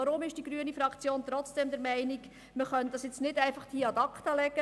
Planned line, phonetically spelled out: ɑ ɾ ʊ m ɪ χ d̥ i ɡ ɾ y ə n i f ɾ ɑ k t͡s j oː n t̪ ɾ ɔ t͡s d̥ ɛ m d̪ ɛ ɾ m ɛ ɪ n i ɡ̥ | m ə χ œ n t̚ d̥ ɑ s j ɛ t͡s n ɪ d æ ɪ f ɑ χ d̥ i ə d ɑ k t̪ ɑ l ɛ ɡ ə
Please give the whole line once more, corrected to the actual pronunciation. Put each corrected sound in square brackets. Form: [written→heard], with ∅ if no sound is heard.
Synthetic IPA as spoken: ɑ ɾ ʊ m ɪ [χ→ʃ] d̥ i ɡ ɾ y ə n i f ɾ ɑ k t͡s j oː n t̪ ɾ ɔ t͡s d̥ ɛ m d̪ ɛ ɾ m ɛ ɪ n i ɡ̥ | m ə χ œ n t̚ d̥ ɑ s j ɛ t͡s n ɪ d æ ɪ f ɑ χ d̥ i [ə→ɑ] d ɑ k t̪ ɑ l ɛ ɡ ə